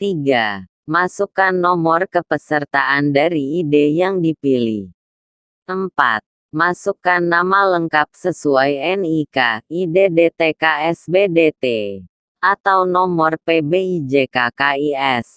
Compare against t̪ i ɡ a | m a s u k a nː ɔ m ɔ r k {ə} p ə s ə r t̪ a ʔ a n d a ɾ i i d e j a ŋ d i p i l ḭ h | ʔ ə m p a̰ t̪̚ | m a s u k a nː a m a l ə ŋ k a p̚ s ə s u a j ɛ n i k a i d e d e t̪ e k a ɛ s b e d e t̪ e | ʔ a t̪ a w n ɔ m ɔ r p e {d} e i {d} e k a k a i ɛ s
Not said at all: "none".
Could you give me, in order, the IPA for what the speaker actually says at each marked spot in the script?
ə, b, d͡ʒ

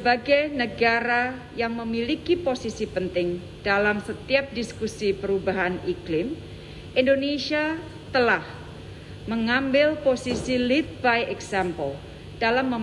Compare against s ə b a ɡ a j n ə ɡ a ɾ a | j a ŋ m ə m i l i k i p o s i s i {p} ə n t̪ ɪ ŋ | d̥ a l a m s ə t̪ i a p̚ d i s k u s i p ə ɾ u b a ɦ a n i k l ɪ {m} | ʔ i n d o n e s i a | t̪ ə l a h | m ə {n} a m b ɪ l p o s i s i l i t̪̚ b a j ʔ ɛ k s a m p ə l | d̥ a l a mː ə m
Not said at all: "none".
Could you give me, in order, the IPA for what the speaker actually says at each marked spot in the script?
p, m, ŋ

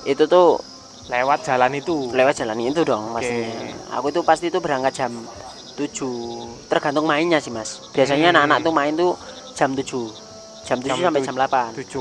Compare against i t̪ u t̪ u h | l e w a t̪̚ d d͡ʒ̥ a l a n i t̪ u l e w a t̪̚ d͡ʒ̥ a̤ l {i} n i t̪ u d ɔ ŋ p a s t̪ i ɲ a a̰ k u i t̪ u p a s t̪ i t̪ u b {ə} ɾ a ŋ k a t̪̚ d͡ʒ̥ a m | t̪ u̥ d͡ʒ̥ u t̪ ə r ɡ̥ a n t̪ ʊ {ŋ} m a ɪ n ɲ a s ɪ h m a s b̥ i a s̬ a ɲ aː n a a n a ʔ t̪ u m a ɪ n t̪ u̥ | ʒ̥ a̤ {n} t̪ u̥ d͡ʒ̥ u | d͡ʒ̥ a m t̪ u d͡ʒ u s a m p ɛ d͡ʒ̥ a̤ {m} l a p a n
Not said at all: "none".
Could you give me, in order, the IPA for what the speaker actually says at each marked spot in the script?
a, ə, ŋ, m, m

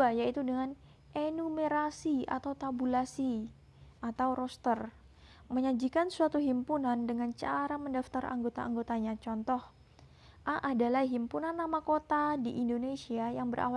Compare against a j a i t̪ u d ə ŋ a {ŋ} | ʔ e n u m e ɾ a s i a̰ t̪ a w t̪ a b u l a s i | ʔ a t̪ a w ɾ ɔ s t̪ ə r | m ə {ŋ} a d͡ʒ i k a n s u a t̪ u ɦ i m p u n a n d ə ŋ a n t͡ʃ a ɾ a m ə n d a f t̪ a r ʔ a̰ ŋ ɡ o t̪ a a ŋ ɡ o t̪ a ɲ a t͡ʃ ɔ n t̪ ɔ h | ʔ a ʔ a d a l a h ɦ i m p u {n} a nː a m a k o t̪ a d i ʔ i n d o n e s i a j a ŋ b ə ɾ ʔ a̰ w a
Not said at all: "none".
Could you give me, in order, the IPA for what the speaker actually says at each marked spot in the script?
n, ɲ, n

